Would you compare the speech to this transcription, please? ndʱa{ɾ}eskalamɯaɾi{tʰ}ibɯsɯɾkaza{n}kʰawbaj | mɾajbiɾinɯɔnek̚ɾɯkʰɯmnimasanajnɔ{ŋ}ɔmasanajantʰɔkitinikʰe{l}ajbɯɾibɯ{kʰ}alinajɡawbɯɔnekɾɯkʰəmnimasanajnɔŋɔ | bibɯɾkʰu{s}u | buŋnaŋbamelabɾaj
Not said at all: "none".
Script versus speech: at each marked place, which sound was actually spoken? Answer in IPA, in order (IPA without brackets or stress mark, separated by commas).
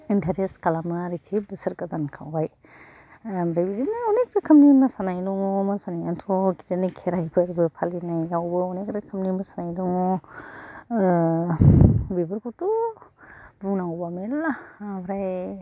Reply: ɾ, kʰ, n, ŋ, ɾ, pʰ, t